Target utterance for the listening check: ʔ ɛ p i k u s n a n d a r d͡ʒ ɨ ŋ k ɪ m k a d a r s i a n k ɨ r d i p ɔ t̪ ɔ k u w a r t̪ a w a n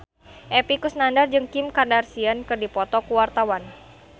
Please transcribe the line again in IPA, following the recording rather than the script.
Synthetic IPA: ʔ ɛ p i k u s n a n d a r d͡ʒ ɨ ŋ k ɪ m k a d a r s i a n k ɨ r d i p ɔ t̪ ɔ k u w a r t̪ a w a n